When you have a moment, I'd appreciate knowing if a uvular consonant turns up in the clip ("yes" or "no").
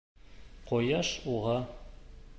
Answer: yes